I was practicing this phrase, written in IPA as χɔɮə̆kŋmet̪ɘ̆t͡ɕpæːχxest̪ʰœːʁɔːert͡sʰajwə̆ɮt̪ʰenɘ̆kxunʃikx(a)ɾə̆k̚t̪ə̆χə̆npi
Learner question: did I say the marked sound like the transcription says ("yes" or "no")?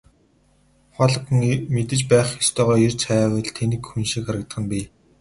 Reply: yes